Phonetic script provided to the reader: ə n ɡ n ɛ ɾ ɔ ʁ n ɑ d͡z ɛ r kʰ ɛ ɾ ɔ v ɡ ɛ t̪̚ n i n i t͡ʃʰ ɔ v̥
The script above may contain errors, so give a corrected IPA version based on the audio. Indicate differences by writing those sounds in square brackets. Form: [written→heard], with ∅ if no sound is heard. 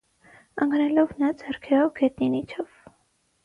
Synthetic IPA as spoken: ə [n→ŋ] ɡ n ɛ [ɾ→l] ɔ [ʁ→v] n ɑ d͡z ɛ r kʰ ɛ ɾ ɔ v ɡ ɛ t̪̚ n i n i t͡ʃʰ ɔ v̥